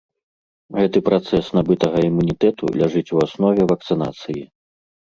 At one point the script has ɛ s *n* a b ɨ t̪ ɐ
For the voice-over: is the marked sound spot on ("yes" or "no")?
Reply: yes